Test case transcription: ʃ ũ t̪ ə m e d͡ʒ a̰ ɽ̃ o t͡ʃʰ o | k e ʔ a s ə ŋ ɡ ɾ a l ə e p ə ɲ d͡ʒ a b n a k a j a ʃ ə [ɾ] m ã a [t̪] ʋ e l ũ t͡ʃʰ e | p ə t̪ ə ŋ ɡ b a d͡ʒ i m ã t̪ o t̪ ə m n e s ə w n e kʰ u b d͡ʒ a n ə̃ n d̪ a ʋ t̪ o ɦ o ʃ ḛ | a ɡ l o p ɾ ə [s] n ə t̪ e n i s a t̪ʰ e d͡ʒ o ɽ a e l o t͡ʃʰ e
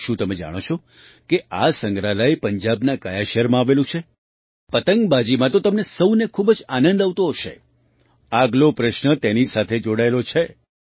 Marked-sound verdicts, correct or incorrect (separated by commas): correct, incorrect, incorrect